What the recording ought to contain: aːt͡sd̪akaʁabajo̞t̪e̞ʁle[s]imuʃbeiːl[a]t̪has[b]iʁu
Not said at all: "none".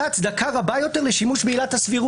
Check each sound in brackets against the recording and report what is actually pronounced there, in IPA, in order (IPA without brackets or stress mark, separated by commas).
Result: ʃ, a, v